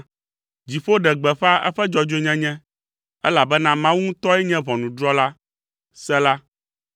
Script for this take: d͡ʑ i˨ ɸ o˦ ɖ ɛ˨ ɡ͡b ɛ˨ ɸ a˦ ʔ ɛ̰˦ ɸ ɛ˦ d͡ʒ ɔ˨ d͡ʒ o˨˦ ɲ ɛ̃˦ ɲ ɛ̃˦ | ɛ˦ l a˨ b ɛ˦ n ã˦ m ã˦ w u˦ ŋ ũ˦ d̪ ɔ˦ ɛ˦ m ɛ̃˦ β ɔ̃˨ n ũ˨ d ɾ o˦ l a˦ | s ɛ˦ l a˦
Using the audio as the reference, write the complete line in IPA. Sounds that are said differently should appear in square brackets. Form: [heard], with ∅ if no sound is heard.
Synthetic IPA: d͡ʑ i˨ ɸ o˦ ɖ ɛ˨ ɡ͡b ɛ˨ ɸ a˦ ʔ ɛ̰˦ ɸ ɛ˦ d͡ʒ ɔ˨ d͡ʒ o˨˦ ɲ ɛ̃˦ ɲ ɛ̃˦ | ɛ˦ l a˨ b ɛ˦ n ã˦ m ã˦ w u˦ ŋ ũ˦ [t̪] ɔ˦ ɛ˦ [ɲ] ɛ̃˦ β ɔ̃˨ n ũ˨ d ɾ [ɔ˦] l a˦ | s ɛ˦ l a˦